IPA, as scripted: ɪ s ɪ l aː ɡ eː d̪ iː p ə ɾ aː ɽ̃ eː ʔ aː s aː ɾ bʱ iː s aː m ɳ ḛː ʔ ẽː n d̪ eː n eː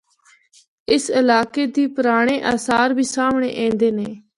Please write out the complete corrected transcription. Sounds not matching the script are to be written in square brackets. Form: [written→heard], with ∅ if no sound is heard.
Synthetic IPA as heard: ɪ s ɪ l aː [ɡ→k] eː d̪ iː p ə ɾ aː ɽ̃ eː ʔ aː s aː ɾ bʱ iː s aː m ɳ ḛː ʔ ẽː n d̪ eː n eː